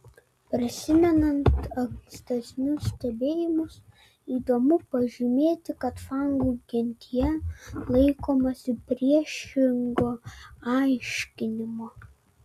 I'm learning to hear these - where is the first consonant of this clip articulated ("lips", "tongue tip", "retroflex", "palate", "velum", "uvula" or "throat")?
lips